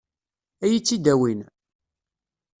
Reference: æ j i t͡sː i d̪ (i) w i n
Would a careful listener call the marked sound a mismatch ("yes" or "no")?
yes